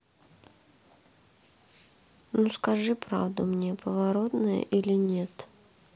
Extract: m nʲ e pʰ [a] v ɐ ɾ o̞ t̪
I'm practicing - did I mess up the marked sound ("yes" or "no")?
yes